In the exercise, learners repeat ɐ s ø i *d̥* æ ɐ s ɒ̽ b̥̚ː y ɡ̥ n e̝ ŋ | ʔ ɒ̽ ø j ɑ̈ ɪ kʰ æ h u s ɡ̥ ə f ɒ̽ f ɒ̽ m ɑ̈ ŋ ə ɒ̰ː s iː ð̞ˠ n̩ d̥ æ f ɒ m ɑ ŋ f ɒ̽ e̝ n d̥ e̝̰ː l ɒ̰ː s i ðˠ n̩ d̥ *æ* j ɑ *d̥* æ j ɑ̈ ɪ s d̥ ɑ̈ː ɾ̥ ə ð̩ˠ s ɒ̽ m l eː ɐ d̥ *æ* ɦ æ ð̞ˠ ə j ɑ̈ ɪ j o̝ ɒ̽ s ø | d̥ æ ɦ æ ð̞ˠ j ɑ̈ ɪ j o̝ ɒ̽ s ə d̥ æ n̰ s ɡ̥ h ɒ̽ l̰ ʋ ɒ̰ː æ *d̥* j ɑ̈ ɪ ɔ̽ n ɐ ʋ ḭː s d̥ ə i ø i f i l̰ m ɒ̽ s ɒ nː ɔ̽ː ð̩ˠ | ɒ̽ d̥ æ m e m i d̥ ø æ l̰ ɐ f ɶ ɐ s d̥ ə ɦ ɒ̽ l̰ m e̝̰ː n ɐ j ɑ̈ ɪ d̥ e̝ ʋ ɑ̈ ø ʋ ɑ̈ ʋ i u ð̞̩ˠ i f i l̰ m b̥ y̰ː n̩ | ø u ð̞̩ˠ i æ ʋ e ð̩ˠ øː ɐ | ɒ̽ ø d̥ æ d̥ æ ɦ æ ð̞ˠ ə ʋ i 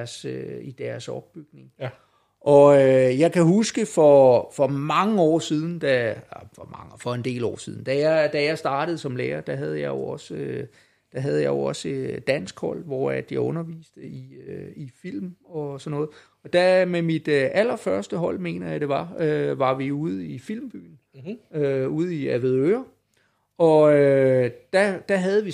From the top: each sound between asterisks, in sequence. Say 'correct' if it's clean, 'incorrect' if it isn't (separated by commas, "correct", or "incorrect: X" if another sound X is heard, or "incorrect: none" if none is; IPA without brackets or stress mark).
correct, correct, correct, correct, correct